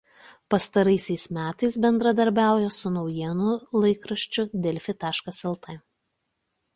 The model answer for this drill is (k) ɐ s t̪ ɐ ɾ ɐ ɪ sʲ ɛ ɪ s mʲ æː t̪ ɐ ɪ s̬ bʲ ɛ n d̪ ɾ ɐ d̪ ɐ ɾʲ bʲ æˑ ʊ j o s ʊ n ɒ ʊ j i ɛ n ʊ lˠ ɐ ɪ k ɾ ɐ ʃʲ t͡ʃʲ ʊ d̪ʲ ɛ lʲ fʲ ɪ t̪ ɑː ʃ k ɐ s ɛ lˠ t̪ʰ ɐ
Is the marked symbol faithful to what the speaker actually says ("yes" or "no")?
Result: no